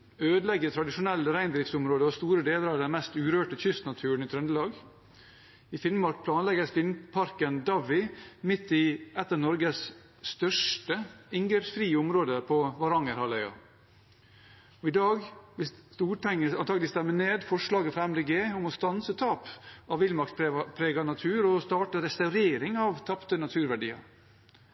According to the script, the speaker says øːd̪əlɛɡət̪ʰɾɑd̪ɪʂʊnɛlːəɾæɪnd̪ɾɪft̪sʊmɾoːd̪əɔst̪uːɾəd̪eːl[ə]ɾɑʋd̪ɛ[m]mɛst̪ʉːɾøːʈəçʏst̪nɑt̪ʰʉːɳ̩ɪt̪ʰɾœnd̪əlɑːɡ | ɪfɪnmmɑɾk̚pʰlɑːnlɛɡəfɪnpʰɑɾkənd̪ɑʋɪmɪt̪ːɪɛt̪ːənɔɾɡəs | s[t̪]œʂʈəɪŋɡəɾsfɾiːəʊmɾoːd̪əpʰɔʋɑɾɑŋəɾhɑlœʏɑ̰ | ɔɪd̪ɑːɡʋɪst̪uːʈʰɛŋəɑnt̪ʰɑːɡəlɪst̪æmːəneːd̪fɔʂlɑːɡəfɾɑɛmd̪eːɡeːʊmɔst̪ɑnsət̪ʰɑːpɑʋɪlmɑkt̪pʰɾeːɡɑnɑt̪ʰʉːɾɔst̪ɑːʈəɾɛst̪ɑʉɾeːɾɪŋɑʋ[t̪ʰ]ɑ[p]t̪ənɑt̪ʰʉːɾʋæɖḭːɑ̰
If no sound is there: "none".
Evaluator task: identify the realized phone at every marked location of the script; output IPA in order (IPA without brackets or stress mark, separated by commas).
ə, n, t̪, t̪ʰ, p